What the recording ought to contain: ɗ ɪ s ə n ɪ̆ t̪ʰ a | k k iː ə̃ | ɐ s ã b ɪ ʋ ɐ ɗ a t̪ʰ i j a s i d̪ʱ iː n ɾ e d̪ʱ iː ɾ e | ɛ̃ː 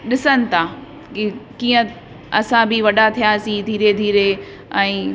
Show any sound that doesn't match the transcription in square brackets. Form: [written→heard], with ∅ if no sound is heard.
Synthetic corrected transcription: ɗ ɪ s ə n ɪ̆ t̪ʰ a | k k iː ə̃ | ɐ s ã b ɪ ʋ ɐ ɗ a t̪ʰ i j a s i d̪ʱ iː [n→∅] ɾ e d̪ʱ iː ɾ e | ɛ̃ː